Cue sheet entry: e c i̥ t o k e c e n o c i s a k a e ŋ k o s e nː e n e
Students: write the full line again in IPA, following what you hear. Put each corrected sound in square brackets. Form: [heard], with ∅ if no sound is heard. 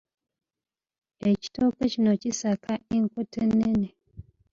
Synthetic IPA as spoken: e c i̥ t o k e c [i] n o c i s a k a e ŋ k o [t] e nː e n e